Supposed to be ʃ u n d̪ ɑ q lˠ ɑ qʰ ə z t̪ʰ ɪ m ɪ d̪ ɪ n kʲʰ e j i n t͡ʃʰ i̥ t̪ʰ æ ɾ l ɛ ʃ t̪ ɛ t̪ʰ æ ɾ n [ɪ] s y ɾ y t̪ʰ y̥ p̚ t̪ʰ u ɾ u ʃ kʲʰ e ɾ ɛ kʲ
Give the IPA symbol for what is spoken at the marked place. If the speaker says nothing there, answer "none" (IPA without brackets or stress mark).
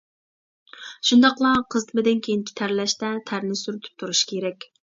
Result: ɪ